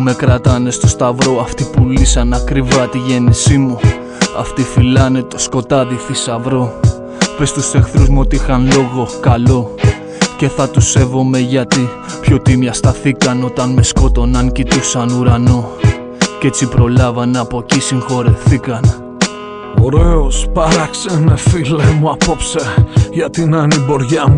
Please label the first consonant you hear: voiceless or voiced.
voiced